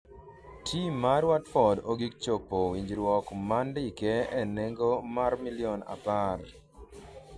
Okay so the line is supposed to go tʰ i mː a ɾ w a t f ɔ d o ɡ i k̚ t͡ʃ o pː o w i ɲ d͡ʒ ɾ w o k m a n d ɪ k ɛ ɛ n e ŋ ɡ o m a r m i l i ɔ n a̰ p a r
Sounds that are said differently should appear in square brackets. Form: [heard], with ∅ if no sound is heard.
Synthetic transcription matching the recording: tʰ i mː a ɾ w a t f ɔ d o ɡ i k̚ t͡ʃ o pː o w i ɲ d͡ʒ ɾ w [ɔ] k m a n d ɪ k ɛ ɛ n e ŋ ɡ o m a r m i l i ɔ n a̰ p a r